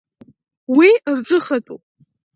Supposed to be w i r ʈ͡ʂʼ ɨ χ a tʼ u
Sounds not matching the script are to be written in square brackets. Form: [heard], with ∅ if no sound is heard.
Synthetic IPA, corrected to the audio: w i r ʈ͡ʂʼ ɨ χ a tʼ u